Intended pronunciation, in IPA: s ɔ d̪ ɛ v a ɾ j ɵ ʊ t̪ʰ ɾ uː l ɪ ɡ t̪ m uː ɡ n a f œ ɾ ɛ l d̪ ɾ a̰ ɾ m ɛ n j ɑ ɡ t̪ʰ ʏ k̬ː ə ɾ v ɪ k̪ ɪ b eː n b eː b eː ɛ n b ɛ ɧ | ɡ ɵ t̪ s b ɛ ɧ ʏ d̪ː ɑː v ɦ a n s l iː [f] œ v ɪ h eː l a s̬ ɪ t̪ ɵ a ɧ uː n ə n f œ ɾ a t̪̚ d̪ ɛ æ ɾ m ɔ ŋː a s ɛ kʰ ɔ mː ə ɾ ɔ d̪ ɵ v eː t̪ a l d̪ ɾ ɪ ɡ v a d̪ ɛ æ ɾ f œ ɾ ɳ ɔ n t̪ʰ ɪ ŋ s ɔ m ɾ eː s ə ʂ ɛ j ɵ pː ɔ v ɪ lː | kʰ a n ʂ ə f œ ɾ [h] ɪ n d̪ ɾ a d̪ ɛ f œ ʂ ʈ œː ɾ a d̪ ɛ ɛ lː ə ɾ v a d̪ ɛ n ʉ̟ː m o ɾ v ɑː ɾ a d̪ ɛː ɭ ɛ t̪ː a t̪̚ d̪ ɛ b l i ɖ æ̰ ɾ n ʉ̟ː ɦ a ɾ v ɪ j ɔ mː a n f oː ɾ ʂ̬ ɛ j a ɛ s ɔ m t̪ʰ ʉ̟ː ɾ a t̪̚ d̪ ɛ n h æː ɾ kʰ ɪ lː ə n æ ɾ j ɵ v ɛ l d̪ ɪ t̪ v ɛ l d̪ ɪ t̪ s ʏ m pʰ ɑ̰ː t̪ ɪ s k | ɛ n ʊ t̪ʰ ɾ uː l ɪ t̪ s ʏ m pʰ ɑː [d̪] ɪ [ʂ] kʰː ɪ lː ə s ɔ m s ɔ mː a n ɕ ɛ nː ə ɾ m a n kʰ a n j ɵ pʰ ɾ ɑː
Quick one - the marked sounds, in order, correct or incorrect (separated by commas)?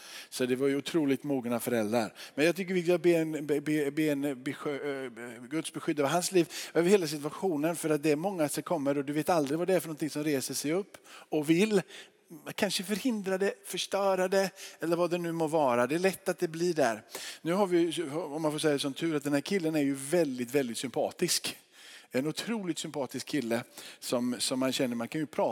incorrect, correct, incorrect, incorrect